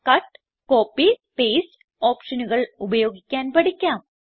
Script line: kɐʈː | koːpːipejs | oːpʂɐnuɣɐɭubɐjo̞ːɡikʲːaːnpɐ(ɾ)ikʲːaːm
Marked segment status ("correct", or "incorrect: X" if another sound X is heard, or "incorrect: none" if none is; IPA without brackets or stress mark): incorrect: ɽ